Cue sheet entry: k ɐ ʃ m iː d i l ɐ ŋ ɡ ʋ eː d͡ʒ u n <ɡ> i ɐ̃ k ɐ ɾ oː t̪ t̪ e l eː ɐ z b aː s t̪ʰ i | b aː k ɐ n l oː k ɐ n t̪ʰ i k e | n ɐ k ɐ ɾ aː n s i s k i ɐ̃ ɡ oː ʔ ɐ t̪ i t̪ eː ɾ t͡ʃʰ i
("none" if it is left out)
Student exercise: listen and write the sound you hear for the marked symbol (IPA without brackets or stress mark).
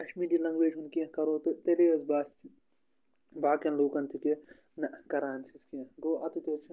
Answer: k